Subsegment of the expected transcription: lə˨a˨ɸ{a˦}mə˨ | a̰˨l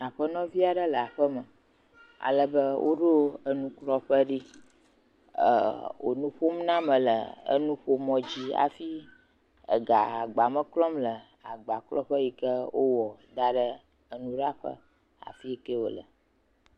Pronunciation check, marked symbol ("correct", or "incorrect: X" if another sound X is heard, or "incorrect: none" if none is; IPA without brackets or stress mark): incorrect: ə˦